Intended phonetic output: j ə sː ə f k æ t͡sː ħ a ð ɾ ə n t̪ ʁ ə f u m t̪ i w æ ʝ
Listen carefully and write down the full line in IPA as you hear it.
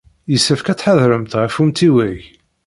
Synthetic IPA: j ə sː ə f k æ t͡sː ħ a ð ɾ ə m t̪ ʁ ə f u m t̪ i w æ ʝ